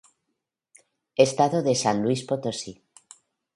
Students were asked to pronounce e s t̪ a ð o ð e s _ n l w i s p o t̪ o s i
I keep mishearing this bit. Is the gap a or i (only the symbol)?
a